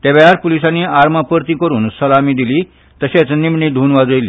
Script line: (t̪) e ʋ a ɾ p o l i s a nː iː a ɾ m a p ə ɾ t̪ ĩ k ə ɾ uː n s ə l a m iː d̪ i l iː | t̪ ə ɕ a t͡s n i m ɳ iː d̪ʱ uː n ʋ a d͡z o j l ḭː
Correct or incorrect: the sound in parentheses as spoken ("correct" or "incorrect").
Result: correct